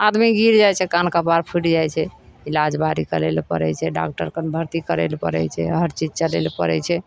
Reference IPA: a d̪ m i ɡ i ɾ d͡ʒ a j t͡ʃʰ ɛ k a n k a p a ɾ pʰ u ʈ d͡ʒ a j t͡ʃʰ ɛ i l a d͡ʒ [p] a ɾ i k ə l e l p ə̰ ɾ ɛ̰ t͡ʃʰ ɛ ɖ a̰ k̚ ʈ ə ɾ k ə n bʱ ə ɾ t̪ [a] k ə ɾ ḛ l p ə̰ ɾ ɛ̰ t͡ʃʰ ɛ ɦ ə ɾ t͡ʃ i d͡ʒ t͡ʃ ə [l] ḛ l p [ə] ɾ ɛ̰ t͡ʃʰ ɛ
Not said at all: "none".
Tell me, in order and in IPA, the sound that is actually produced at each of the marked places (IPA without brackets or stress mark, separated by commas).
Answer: b, i, l, ə